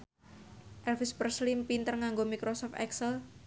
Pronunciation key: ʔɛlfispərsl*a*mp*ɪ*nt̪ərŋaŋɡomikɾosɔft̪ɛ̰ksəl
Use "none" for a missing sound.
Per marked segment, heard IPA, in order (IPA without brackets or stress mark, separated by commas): i, i